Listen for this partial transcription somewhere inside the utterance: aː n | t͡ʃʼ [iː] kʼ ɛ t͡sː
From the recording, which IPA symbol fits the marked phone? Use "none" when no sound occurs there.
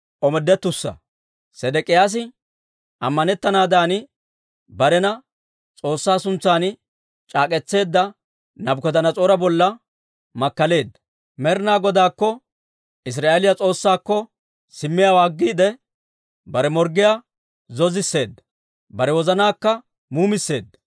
aː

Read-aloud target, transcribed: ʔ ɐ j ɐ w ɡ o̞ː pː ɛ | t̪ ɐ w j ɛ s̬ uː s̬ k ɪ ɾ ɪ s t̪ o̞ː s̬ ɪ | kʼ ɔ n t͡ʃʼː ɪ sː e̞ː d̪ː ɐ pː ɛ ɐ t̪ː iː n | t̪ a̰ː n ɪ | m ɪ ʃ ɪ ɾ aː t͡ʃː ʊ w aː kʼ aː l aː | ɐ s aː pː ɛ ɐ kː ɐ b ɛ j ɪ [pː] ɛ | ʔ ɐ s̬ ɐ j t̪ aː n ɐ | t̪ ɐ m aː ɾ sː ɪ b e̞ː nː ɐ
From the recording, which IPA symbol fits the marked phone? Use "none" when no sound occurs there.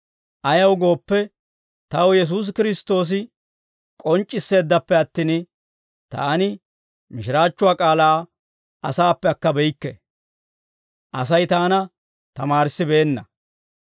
kː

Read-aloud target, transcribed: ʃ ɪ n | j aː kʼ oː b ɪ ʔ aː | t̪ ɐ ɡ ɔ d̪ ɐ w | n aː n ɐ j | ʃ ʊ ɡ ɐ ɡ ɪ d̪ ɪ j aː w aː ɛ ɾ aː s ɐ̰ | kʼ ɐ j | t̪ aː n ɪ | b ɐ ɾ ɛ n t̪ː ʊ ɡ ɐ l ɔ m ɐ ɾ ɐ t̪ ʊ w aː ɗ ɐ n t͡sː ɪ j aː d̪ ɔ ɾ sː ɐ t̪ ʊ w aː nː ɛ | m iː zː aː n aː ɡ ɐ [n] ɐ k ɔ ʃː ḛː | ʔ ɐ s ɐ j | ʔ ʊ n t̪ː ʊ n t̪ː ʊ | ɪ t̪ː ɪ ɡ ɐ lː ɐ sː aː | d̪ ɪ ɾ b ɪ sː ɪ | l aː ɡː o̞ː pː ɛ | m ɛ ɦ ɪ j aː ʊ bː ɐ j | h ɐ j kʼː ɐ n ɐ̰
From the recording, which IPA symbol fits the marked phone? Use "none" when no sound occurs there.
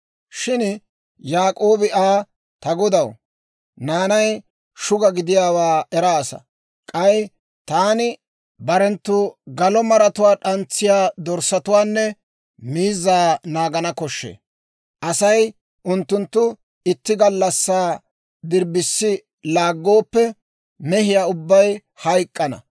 n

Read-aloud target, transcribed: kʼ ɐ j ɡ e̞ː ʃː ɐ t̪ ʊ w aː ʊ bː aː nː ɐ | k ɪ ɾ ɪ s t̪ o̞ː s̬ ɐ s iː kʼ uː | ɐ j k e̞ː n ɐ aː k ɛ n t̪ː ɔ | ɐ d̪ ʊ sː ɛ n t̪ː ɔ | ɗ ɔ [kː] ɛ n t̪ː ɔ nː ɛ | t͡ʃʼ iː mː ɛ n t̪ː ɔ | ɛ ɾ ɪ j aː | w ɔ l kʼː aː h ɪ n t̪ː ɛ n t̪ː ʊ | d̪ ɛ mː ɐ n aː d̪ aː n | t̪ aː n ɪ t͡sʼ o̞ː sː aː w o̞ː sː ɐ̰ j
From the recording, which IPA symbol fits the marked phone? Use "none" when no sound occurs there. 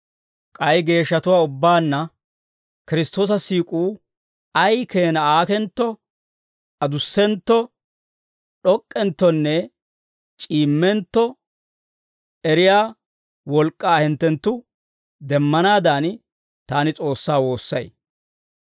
kʼː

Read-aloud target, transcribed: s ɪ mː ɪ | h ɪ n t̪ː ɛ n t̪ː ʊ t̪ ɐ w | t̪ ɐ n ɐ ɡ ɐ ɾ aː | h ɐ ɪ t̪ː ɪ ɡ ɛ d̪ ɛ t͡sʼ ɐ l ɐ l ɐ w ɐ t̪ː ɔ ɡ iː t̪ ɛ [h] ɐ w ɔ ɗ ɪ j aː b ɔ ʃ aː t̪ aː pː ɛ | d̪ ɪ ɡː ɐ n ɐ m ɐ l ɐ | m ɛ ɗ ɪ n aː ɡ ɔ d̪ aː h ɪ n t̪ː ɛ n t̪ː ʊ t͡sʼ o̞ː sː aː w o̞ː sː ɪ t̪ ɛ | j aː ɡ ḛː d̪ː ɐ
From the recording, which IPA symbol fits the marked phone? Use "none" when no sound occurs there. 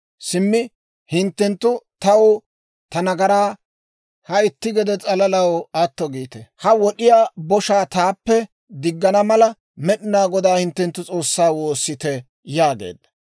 h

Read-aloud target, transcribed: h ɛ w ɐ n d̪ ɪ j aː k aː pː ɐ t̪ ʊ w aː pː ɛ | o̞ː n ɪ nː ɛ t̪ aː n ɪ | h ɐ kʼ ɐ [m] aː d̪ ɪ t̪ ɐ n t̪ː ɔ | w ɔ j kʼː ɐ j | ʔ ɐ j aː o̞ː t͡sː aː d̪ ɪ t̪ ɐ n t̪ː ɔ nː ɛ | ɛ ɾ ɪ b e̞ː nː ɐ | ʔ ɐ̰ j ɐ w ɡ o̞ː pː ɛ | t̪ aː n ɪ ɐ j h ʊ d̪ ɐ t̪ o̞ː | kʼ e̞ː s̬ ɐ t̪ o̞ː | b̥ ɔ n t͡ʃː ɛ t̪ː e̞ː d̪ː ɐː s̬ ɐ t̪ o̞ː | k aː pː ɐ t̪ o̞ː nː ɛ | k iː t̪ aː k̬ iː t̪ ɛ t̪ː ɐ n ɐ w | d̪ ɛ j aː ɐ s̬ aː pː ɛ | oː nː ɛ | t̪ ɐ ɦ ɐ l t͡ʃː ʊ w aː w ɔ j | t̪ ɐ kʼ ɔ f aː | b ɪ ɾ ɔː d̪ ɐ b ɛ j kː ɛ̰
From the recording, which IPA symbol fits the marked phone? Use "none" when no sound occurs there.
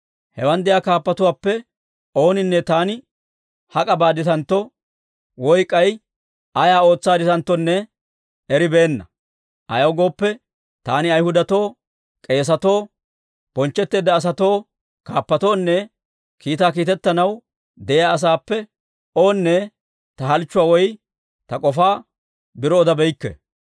b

